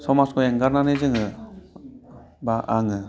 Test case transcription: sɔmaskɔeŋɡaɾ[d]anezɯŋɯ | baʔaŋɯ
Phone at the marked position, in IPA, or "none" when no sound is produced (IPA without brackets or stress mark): n